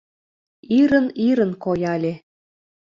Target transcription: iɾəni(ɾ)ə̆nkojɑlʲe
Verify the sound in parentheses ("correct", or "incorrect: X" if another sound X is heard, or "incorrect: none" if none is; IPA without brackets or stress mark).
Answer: correct